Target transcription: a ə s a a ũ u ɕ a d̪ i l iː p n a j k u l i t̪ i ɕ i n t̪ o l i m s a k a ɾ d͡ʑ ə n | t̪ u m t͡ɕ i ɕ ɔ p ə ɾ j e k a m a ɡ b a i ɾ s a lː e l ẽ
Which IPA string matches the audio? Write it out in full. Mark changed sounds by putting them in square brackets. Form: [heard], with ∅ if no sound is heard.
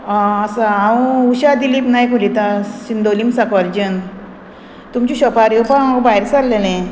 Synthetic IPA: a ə s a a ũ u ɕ a d̪ i l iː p n a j k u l i t̪ [a] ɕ i n [d̪] o l i m s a k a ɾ d͡ʑ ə n | t̪ u m t͡ɕ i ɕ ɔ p [a] ɾ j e [p] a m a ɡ b a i ɾ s a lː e l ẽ